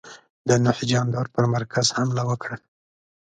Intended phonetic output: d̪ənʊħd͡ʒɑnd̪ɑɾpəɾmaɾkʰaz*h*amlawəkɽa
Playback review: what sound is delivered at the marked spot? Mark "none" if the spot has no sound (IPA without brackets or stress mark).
h